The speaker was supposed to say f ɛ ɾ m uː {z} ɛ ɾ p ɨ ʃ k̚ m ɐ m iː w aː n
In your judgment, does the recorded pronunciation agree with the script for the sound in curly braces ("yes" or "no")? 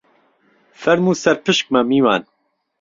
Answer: no